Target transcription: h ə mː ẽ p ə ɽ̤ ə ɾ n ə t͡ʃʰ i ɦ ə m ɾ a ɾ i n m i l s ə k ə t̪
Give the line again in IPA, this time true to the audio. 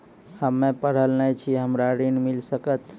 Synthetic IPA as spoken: h ə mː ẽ p ə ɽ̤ ə l n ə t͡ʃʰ i ɦ ə m ɾ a ɾ i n m i l s ə k ə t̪